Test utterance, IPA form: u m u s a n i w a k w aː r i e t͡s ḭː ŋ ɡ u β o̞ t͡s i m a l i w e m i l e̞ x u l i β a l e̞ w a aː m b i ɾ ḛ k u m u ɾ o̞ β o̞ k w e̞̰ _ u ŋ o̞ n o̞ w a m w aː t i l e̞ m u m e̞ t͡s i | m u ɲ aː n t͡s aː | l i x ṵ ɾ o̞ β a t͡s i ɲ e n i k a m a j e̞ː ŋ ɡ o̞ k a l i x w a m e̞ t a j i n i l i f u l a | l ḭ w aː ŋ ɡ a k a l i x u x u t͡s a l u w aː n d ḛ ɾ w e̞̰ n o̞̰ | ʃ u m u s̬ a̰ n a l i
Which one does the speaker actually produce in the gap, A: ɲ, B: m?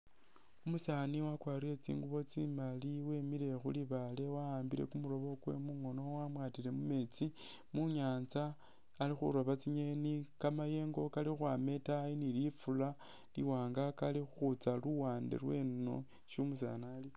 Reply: B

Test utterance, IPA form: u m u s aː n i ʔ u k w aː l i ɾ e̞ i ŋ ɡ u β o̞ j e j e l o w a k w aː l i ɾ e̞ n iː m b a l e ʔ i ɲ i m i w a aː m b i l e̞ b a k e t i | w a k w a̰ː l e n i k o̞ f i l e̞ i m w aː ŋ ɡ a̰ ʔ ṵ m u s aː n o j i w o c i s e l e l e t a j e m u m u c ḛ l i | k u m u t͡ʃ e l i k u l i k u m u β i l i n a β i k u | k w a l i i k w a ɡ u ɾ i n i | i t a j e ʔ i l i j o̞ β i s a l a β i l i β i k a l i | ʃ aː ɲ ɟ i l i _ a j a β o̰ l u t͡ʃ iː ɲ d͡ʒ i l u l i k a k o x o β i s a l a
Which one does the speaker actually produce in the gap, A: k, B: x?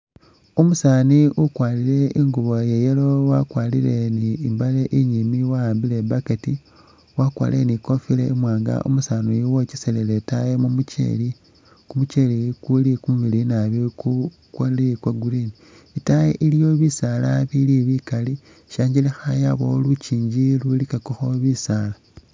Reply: B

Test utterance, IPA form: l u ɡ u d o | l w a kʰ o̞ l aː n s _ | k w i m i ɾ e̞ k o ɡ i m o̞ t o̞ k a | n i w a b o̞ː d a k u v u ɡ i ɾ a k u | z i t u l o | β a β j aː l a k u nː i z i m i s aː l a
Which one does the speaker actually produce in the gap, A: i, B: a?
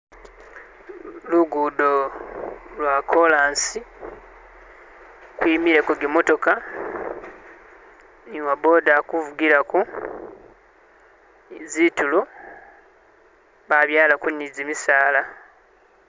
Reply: A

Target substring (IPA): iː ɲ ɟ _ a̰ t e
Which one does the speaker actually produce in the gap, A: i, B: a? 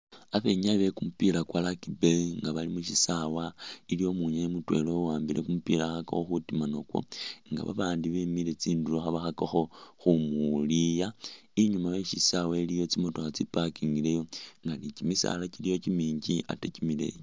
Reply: A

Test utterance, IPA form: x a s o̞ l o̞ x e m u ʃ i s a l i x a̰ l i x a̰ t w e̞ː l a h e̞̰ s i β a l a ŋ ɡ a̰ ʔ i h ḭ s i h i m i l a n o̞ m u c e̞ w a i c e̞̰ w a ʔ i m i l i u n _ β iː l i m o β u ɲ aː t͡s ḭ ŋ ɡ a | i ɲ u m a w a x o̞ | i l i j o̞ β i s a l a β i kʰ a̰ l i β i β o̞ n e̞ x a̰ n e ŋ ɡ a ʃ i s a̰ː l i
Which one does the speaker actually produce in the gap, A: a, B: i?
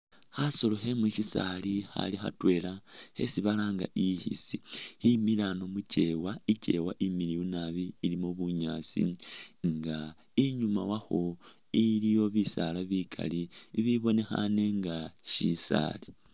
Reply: A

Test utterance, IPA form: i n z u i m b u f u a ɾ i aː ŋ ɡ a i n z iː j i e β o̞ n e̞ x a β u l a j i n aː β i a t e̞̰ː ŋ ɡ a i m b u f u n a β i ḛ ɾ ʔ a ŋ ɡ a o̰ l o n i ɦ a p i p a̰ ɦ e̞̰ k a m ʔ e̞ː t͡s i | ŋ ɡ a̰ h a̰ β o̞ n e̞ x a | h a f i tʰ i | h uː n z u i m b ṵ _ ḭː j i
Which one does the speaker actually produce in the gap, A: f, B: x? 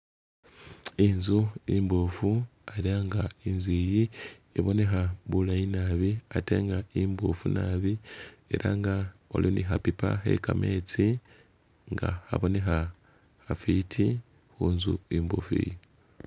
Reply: A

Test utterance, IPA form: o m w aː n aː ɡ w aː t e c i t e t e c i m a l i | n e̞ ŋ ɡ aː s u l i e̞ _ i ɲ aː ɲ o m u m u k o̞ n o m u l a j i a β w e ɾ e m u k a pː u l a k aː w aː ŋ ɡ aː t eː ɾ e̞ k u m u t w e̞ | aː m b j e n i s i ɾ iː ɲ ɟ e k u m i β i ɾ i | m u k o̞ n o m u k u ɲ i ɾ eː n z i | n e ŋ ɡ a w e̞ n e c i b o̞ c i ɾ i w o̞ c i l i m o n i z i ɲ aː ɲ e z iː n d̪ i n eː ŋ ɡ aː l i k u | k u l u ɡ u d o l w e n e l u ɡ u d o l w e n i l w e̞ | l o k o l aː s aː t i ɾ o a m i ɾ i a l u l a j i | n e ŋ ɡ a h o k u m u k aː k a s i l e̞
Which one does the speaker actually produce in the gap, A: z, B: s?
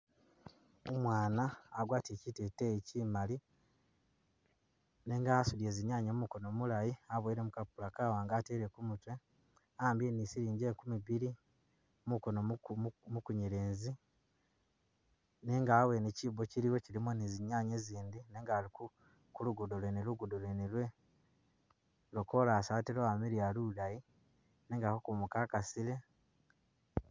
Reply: A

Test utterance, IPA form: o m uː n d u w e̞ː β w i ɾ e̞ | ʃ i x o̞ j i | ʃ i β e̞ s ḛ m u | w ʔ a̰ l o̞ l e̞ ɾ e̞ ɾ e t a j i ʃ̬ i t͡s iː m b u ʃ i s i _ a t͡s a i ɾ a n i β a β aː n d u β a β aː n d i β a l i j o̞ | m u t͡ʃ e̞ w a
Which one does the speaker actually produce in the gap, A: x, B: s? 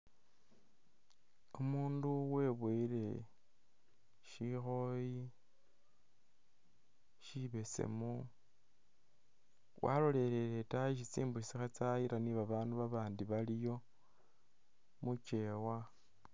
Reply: A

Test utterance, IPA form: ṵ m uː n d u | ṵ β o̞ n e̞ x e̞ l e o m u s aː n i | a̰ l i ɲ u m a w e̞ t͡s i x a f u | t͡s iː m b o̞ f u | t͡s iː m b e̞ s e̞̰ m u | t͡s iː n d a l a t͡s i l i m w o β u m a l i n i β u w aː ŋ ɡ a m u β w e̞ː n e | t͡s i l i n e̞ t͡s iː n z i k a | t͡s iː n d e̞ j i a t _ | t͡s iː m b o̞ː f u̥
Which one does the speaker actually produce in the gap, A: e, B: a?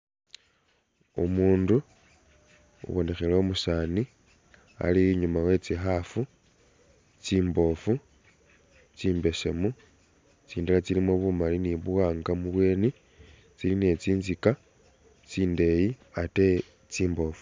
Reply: A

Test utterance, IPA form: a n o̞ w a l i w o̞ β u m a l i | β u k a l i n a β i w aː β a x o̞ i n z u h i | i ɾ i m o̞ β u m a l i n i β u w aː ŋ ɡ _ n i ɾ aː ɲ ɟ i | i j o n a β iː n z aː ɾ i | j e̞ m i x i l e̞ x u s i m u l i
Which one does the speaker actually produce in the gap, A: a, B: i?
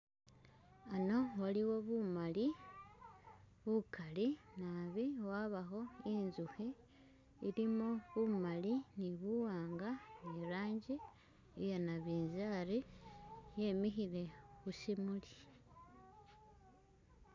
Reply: A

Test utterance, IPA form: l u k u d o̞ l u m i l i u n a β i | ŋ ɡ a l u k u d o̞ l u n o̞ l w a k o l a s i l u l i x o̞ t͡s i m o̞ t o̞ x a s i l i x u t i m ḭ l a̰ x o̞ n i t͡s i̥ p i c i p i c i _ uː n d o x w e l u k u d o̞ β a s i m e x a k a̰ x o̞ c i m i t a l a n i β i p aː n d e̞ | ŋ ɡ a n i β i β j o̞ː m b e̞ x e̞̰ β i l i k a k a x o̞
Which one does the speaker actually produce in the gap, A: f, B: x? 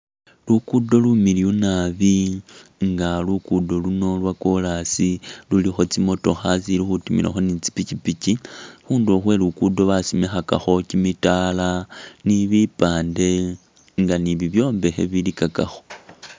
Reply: B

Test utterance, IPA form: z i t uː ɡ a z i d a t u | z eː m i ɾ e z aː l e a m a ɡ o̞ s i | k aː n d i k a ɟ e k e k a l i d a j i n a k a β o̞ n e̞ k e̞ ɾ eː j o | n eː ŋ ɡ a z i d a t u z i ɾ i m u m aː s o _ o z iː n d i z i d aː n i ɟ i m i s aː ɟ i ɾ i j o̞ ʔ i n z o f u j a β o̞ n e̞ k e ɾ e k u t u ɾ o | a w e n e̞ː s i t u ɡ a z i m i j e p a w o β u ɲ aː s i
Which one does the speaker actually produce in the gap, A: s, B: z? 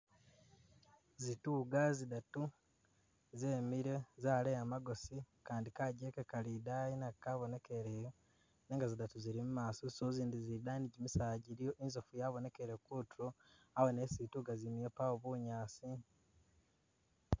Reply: A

